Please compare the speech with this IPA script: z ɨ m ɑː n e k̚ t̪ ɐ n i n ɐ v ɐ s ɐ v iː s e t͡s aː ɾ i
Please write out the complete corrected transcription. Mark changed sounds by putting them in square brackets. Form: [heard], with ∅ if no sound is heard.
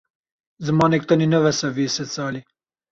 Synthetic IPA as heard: z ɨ m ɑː n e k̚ t̪ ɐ n i n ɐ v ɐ s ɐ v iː s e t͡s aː [l] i

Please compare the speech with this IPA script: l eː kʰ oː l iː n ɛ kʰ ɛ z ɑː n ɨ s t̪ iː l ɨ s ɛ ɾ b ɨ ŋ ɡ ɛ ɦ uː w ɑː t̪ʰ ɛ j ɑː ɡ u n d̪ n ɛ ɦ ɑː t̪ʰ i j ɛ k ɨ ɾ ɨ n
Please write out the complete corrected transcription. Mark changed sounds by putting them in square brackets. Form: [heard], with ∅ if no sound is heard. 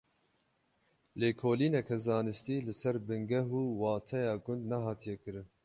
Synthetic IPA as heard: l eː kʰ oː l iː n ɛ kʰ ɛ z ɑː n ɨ s t̪ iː l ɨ s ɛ ɾ b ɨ ŋ ɡ ɛ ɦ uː w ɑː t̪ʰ ɛ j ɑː ɡ [ʊ] n d̪ n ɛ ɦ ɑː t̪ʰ i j ɛ k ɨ ɾ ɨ n

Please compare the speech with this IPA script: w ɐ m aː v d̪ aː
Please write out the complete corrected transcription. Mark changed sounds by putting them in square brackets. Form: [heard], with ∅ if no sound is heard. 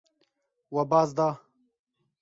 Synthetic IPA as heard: w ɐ [b] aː [z] d̪ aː

